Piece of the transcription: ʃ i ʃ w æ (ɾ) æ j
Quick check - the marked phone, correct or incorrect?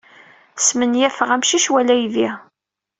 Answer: incorrect